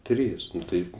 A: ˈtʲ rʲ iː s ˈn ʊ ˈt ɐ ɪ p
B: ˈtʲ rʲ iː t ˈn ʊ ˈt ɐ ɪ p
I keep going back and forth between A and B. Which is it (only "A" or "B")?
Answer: A